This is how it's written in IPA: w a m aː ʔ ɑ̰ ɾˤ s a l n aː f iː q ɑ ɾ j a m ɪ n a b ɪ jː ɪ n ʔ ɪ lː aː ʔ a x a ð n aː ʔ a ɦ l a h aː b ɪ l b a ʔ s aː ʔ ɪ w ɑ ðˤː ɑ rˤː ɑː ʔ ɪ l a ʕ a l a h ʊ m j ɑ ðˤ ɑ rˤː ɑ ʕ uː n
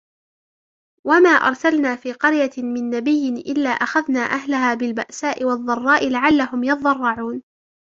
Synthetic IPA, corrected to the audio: w a m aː ʔ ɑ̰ ɾˤ s a l n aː f iː q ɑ ɾ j a m ɪ nː a b ɪ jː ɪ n ʔ ɪ lː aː ʔ a x a ð n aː ʔ a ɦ l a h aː b ɪ l b a ʔ s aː ʔ ɪ w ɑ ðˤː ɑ rˤː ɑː ʔ ɪ l a ʕ a lː a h ʊ m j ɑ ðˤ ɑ rˤː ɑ ʕ uː n